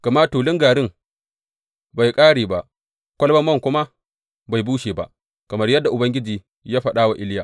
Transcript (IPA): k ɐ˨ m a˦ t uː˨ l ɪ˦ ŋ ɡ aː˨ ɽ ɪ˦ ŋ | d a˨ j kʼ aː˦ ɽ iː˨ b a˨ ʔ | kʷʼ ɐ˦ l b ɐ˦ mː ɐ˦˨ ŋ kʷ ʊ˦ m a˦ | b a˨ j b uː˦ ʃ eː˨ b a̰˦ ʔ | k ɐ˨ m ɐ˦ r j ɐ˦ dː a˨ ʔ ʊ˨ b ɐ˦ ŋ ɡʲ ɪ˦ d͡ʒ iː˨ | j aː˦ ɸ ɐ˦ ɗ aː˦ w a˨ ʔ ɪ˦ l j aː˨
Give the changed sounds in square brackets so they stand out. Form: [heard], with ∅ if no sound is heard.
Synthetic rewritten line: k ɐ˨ m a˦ t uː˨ l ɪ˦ ŋ ɡ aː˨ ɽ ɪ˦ ŋ | [b] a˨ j kʼ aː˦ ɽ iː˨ b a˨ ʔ | [kʷ] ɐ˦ l b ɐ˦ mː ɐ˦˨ ŋ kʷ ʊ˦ m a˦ | b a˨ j b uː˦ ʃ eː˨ b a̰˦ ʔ | k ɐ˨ m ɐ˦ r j ɐ˦ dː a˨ ʔ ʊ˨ b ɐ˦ ŋ ɡʲ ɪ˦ d͡ʒ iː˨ | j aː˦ ɸ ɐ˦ ɗ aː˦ w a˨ ʔ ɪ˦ l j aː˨

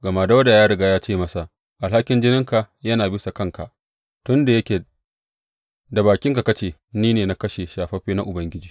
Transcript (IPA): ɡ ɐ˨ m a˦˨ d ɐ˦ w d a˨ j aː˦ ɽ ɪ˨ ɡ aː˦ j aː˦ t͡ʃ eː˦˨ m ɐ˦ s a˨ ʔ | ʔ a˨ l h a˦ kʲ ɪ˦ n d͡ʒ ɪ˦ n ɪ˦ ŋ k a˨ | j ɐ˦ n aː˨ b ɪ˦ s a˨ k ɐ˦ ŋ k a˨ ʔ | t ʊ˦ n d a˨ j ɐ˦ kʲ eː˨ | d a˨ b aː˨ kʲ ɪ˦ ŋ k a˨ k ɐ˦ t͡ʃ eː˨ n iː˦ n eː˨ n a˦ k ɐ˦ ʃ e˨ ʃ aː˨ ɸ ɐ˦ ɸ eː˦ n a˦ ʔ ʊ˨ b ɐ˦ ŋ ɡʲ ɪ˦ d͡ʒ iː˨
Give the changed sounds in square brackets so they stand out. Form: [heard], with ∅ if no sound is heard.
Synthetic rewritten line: ɡ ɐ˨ m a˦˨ d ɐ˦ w d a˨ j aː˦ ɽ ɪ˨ ɡ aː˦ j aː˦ t͡ʃ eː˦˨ m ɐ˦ s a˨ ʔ | ʔ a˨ l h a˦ kʲ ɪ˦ n d͡ʒ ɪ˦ n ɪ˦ ŋ k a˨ | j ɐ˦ n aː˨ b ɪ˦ s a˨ k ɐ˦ ŋ k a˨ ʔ | t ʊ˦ n d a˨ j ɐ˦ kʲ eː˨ | d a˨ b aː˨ kʲ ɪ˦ ŋ k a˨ k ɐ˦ t͡ʃ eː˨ n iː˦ n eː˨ n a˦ k ɐ˦ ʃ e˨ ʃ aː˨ ɸ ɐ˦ ɸ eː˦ n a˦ ʔ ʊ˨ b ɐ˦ ŋ ɡʲ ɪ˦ d͡ʒ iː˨

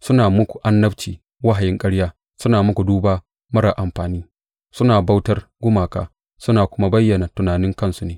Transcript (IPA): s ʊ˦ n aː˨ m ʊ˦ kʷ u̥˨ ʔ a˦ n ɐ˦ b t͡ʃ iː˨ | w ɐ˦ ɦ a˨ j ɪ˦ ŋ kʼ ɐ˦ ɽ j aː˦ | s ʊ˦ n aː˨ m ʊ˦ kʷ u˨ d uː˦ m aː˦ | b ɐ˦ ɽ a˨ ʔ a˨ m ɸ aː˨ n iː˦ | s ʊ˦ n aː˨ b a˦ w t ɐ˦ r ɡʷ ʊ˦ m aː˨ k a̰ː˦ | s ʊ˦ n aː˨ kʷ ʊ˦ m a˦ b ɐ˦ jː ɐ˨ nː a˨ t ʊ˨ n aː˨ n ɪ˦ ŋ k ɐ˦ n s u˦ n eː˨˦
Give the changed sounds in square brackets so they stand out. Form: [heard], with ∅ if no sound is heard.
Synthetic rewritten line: s ʊ˦ n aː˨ m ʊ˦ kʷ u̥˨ ʔ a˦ [nː] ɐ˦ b t͡ʃ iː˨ | w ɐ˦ ɦ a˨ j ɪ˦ ŋ kʼ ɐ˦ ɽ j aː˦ | s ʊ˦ n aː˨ m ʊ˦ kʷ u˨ d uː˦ [b] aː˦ | [m] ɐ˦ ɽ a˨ ʔ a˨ m ɸ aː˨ n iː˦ | s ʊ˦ n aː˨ b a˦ w t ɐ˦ r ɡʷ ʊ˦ m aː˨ k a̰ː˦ | s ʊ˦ n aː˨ kʷ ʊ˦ m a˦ b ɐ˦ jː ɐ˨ [n] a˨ t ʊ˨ n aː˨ n ɪ˦ ŋ k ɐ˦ n s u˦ n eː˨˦

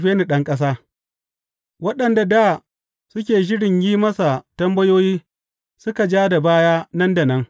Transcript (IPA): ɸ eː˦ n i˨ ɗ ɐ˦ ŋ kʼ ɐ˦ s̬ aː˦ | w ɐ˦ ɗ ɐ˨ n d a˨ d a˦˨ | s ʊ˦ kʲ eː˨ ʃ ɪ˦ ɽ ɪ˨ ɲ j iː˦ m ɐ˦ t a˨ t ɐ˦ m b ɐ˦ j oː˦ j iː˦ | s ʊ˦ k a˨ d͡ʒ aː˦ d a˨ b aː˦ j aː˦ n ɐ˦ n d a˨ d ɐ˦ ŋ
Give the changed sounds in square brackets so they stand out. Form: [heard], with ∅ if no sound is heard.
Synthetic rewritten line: ɸ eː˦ n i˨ ɗ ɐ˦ ŋ kʼ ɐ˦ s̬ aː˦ | w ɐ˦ ɗ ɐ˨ n d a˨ d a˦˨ | s ʊ˦ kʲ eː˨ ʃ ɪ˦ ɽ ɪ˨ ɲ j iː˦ m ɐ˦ [s] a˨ t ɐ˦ m b ɐ˦ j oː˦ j iː˦ | s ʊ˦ k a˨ d͡ʒ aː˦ d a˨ b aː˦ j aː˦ n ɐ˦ n d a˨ [n] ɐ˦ ŋ

